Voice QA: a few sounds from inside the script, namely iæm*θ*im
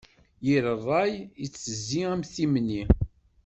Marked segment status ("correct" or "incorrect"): correct